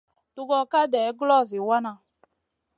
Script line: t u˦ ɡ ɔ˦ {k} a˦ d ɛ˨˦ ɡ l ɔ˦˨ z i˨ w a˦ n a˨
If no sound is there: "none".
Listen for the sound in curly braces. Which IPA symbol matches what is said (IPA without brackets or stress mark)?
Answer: k